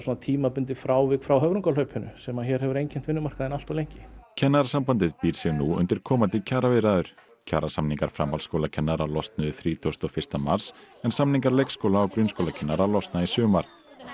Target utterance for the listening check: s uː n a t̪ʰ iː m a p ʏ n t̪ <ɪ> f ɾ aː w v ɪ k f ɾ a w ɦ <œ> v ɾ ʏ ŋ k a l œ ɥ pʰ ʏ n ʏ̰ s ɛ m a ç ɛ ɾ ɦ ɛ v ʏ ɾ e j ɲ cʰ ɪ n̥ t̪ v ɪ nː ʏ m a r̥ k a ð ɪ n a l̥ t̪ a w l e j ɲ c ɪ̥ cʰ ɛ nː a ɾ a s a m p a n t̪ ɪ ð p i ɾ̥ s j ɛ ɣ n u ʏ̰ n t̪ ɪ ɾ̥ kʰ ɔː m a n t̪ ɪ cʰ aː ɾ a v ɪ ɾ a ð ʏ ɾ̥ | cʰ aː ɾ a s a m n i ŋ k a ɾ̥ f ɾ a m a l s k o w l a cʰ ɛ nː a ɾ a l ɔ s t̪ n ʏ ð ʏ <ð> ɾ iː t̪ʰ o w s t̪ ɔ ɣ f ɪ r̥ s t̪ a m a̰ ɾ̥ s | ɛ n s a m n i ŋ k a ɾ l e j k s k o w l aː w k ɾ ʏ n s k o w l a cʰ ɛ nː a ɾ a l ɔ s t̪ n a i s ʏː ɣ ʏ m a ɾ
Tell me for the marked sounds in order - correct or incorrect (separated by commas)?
correct, correct, incorrect